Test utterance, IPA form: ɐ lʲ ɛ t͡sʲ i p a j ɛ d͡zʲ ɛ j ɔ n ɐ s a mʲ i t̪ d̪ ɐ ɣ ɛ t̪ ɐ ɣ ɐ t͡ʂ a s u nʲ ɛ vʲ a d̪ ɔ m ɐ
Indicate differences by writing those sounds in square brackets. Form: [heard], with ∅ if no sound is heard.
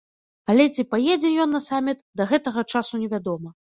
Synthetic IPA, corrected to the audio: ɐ lʲ ɛ t͡sʲ i p a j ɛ d͡zʲ ɛ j ɔ [nː] ɐ s a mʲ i t̪ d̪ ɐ ɣ ɛ t̪ ɐ ɣ ɐ t͡ʂ a s u nʲ ɛ vʲ a d̪ ɔ m ɐ